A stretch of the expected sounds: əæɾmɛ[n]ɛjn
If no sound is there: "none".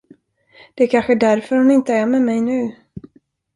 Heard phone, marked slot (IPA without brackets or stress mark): m